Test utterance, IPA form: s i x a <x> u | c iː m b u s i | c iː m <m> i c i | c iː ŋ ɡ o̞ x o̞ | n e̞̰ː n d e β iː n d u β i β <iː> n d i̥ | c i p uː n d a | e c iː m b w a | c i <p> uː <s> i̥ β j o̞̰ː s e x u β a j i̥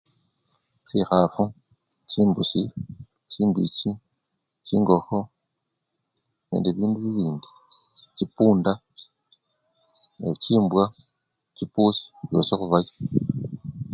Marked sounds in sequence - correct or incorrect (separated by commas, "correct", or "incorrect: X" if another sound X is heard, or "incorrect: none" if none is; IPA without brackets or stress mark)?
incorrect: f, incorrect: b, correct, correct, correct